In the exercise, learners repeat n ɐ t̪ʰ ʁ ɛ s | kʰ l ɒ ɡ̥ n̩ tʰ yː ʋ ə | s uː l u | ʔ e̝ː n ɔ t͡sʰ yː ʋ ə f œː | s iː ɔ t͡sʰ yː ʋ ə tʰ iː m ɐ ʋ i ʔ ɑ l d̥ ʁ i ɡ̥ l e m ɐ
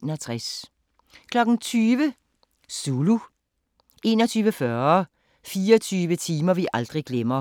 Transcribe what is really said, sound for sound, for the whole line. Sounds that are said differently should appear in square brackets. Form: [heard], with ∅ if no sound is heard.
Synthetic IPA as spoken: n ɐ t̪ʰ ʁ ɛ s | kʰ l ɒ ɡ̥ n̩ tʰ yː ʋ ə | s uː l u | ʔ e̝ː n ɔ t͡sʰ yː ʋ ə f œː | [f] iː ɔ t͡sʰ yː ʋ ə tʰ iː m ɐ ʋ i ʔ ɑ l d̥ ʁ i ɡ̥ l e m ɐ

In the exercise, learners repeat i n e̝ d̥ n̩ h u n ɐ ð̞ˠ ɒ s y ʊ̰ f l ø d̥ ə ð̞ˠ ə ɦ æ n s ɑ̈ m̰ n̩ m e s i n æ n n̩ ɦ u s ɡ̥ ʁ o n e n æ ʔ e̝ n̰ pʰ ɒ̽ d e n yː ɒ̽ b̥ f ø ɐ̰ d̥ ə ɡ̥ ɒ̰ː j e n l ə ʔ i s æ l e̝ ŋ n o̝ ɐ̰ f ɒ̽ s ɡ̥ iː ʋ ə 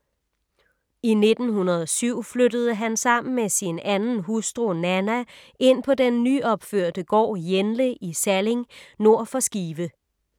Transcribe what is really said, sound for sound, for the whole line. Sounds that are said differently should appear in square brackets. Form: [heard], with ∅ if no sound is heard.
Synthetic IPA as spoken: i n e̝ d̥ n̩ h u n ɐ ð̞ˠ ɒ s y ʊ̰ f l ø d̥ ə ð̞ˠ ə ɦ æ n s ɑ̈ m̰ n̩ m e s i n æ n n̩ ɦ u s [d̥] ʁ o n [æ] n æ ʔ e̝ n̰ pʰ ɒ̽ d e [nː] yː ɒ̽ b̥ f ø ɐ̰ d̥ ə ɡ̥ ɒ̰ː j e n l ə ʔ i s æ l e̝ ŋ n o̝ ɐ̰ f ɒ̽ s ɡ̥ iː ʋ ə

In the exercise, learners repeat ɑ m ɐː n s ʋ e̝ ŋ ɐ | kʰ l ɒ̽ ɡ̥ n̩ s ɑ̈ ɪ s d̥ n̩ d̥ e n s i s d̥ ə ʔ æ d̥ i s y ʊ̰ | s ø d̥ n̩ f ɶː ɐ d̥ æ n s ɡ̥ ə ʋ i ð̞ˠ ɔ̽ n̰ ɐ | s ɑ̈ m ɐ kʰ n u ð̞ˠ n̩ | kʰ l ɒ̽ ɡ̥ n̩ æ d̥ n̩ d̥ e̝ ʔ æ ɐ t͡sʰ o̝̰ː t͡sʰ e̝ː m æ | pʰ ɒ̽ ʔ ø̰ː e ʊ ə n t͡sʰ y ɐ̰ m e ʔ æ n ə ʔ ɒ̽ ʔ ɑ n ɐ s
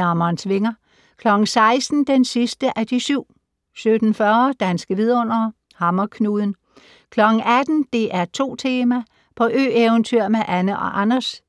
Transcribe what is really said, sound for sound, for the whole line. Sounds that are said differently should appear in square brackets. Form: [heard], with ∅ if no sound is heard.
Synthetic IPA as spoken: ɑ m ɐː n s ʋ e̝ ŋ ɐ | kʰ l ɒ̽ ɡ̥ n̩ s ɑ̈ ɪ s d̥ n̩ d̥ e n s i s d̥ ə ʔ æ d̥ i s y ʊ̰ | s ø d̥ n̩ f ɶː ɐ d̥ æ n s ɡ̥ ə ʋ i ð̞ˠ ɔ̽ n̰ ɐ | [h] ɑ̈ m ɐ kʰ n u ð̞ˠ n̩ | kʰ l ɒ̽ ɡ̥ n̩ æ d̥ n̩ d̥ e̝ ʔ æ ɐ t͡sʰ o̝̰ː t͡sʰ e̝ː m æ | pʰ ɒ̽ ʔ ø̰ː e ʊ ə n t͡sʰ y ɐ̰ m e ʔ æ n ə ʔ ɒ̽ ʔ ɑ n ɐ s

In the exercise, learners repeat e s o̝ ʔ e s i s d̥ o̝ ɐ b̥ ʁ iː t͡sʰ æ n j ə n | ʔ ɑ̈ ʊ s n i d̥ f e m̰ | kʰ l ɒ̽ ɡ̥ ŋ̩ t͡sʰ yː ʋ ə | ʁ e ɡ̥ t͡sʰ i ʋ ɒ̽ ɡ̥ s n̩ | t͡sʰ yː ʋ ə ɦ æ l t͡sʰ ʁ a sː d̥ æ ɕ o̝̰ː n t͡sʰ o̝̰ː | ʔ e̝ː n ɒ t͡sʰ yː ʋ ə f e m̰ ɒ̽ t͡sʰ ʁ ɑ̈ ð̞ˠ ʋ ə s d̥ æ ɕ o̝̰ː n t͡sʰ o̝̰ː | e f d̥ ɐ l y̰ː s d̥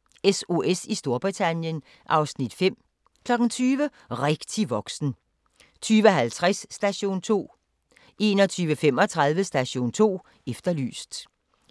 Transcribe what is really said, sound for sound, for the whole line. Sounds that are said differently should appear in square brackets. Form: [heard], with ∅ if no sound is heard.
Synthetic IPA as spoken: e s o̝ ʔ e s i s d̥ o̝ ɐ b̥ ʁ [i] t͡sʰ æ n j ə n | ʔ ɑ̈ ʊ s n i d̥ f e m̰ | kʰ l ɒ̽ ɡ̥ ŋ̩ t͡sʰ yː ʋ ə | ʁ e ɡ̥ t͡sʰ i ʋ ɒ̽ ɡ̥ s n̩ | t͡sʰ yː ʋ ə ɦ æ l t͡sʰ ʁ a sː d̥ æ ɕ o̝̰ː n t͡sʰ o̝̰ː | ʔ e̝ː n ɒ t͡sʰ yː ʋ ə f e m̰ ɒ̽ t͡sʰ ʁ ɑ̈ ð̞ˠ ʋ ə s d̥ æ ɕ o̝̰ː n t͡sʰ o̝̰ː | e f d̥ ɐ l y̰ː s d̥

